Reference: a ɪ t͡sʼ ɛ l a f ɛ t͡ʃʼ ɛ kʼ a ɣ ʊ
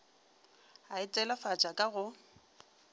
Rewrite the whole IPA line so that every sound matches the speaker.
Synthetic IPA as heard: a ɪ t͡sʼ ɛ l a f a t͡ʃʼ a kʼ a ɣ ʊ